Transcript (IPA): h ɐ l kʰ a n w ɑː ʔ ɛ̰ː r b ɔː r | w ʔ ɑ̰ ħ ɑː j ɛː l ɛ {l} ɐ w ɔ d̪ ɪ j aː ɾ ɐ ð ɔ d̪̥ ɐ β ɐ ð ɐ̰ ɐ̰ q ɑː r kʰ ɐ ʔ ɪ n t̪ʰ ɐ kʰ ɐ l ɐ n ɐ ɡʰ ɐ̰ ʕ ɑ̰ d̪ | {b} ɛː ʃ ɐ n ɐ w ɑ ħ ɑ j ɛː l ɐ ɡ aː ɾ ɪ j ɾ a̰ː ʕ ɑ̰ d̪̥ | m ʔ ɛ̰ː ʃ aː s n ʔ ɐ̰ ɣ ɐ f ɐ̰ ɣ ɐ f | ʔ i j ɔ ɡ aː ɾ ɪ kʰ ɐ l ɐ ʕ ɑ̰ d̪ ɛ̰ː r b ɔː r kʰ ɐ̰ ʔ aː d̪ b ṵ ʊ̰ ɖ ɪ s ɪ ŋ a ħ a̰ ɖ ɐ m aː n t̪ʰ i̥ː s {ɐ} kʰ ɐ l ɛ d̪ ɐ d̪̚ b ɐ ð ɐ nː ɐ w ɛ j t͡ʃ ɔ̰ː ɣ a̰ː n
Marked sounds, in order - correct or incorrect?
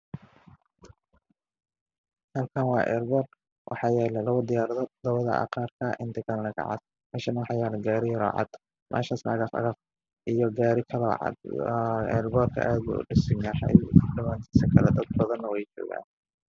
correct, incorrect, correct

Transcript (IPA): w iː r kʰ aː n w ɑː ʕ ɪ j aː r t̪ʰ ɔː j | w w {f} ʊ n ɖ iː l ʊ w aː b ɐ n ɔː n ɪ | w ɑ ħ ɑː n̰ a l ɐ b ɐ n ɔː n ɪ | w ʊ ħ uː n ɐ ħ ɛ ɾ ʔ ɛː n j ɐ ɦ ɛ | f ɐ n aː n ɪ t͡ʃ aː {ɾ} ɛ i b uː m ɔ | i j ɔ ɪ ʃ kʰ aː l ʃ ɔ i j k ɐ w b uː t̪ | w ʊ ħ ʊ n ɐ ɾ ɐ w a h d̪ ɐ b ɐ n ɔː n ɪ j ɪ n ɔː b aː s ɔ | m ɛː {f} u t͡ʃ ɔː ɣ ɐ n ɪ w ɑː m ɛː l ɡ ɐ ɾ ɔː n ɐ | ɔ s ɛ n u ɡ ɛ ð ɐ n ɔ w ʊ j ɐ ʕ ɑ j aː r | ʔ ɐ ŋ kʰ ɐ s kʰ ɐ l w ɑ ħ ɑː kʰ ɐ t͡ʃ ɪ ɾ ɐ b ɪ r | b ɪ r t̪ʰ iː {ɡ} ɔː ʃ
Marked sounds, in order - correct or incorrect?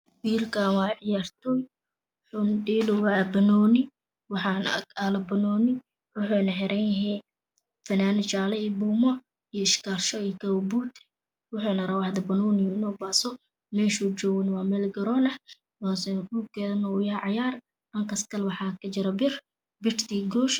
incorrect, incorrect, incorrect, correct

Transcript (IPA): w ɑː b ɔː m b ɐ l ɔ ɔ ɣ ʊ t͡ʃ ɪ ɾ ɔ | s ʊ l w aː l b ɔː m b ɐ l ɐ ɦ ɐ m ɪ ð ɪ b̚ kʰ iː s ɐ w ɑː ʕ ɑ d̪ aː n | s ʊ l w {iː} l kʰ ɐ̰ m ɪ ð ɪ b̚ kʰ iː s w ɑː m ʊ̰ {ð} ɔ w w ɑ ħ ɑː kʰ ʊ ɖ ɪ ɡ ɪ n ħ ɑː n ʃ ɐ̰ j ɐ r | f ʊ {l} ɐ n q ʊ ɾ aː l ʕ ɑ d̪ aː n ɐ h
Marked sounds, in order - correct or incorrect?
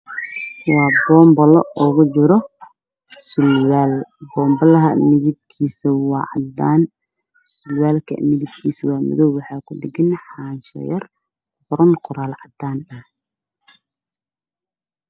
incorrect, correct, incorrect

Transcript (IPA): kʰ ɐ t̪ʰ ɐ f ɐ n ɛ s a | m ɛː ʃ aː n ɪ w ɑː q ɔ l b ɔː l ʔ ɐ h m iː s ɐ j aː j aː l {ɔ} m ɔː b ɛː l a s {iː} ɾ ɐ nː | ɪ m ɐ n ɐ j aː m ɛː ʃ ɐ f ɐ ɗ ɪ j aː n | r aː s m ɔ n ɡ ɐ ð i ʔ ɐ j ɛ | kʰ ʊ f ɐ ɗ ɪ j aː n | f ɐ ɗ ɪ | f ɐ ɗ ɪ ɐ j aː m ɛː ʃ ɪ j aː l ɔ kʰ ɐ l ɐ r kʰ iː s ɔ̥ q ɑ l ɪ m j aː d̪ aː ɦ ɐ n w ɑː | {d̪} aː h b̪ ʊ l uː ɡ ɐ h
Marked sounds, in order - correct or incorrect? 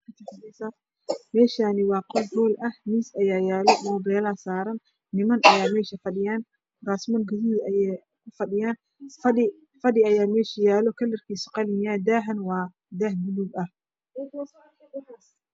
correct, incorrect, correct

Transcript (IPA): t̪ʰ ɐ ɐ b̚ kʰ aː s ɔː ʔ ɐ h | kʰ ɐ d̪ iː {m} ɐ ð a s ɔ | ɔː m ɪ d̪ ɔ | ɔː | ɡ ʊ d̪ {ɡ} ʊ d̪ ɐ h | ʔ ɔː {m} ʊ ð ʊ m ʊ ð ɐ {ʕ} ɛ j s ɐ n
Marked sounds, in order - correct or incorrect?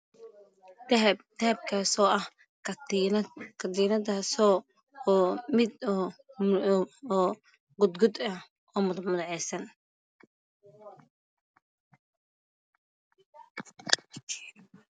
incorrect, correct, correct, correct

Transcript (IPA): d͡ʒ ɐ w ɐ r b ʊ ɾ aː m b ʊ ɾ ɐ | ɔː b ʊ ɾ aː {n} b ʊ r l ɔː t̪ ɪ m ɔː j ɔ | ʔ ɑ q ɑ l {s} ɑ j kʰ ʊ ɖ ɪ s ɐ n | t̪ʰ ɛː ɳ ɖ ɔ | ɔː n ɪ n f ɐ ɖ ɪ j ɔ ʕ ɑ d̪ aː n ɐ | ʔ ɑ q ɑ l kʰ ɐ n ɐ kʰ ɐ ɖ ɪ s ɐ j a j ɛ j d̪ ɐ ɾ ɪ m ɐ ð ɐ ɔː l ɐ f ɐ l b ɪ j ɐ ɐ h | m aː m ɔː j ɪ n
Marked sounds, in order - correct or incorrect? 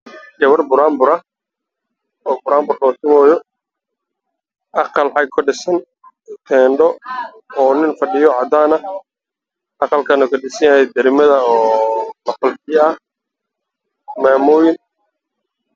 incorrect, incorrect

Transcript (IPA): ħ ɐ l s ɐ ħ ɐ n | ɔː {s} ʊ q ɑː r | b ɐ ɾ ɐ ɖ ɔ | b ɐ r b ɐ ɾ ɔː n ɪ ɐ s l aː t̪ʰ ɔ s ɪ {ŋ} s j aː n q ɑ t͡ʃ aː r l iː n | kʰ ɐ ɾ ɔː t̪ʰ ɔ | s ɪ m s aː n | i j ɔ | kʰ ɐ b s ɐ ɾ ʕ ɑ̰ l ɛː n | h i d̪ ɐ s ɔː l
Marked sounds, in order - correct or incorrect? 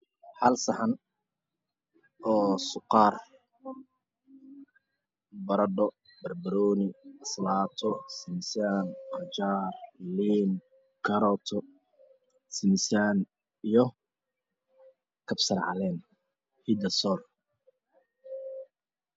correct, incorrect

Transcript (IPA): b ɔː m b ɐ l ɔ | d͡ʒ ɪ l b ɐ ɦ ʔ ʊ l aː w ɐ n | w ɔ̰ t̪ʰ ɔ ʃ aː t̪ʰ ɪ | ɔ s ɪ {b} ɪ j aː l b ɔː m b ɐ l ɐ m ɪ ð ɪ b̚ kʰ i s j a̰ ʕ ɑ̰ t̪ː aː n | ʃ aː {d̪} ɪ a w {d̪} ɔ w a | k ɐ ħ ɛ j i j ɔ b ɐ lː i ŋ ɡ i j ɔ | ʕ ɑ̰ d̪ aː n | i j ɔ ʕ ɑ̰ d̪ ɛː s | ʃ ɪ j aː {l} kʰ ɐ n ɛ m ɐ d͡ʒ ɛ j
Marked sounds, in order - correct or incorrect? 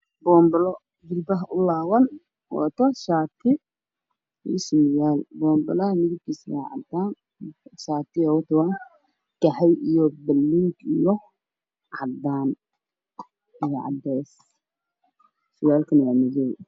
incorrect, incorrect, incorrect, correct

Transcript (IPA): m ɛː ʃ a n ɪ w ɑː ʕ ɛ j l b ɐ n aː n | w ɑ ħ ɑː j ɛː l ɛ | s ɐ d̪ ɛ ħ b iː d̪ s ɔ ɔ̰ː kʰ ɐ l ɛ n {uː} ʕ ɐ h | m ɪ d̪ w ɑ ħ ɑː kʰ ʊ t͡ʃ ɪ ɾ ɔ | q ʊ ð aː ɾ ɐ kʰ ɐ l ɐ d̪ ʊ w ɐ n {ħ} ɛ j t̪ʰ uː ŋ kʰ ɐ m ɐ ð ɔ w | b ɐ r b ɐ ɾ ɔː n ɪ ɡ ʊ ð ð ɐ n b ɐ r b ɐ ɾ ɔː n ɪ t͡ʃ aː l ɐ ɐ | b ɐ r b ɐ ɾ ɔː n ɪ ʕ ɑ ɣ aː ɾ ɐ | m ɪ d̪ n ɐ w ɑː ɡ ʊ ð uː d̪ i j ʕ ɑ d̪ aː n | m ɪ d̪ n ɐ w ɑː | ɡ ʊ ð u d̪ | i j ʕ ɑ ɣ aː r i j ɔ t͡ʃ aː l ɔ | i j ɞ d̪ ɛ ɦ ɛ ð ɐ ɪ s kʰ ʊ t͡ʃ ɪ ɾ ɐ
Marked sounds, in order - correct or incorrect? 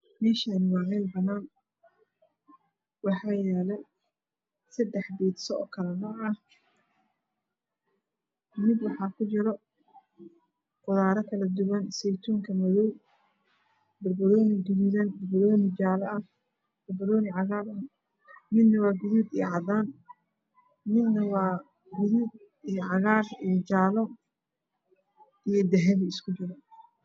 incorrect, incorrect

